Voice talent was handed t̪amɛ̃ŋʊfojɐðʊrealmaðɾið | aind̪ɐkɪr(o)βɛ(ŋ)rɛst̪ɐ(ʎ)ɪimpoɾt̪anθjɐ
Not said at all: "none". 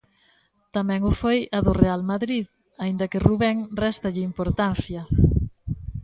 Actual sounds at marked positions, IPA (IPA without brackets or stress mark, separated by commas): u, ŋ, ʎ